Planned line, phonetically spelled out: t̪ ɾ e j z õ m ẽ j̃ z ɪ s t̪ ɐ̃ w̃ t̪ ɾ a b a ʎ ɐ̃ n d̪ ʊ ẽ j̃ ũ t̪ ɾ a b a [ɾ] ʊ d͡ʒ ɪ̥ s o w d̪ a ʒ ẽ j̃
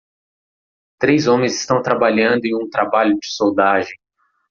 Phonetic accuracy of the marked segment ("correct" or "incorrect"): incorrect